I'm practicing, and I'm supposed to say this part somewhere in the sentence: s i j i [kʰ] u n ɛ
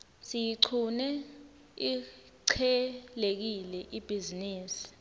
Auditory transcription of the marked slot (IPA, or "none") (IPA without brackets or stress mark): ǀʰ